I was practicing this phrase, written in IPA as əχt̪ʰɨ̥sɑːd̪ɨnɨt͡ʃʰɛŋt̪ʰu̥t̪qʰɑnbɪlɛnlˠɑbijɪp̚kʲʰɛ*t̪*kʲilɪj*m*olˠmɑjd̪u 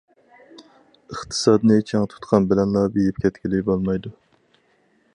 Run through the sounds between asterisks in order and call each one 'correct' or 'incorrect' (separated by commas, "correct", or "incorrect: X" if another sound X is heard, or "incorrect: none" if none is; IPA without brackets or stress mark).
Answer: correct, incorrect: b